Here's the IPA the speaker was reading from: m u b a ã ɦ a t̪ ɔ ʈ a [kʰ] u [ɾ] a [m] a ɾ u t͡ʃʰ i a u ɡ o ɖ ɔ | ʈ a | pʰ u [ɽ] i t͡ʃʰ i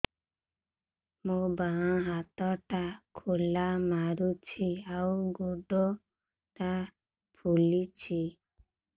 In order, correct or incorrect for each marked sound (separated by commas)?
correct, incorrect, correct, incorrect